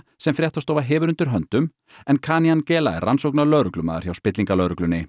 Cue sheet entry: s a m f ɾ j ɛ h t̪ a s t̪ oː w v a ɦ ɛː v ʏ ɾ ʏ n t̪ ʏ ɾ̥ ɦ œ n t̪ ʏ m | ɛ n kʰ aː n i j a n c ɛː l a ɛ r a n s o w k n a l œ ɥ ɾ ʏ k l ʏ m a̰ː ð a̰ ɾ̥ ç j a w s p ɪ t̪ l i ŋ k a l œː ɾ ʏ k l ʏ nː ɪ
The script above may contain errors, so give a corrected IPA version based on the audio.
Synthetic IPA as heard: s ɛ m f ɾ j ɛ h t̪ a s t̪ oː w v a ɦ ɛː v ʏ ɾ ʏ n t̪ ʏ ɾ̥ ɦ œ n t̪ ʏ m | ɛ n kʰ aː n i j a n c ɛː l a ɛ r a n s o w k n a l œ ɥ ɾ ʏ k l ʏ m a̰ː ð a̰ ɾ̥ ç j a w s p ɪ t̪ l i ŋ k a l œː ɾ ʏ k l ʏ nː ɪ